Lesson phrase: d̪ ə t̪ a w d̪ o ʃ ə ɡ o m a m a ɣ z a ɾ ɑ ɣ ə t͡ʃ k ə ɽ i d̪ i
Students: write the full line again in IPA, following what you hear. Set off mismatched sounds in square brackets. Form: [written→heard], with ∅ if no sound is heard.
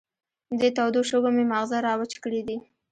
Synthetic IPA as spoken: d̪ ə t̪ a w d̪ o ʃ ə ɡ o m [a→e] m a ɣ z a ɾ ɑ [ɣ→w] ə t͡ʃ k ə ɽ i d̪ i